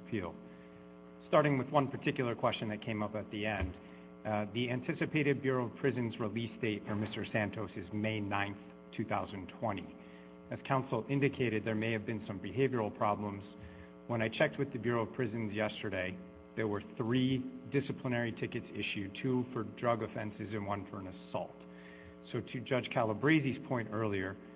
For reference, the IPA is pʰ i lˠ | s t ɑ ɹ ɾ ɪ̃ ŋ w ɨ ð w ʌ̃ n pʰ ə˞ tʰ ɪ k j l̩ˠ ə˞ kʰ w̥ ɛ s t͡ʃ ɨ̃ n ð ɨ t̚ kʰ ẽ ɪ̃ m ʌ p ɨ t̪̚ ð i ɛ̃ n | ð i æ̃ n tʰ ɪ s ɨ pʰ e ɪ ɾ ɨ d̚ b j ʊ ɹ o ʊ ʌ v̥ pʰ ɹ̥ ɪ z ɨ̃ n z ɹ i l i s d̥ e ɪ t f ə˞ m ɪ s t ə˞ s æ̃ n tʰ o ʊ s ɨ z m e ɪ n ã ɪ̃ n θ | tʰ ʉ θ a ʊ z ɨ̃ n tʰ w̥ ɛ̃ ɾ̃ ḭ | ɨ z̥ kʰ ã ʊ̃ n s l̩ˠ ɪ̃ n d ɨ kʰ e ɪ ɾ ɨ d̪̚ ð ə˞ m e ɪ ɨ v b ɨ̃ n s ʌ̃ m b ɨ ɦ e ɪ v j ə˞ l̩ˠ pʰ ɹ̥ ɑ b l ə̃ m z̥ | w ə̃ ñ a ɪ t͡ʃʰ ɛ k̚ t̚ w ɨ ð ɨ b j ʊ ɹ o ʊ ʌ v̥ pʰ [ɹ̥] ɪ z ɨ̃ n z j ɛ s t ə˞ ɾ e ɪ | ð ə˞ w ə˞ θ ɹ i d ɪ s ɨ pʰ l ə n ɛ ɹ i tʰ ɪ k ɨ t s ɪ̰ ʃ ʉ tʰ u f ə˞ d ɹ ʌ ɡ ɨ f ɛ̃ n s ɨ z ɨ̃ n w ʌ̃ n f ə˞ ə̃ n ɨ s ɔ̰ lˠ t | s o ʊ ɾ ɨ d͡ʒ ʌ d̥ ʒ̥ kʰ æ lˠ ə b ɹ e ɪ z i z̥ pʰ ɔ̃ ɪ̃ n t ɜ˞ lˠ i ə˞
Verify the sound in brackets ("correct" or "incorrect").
correct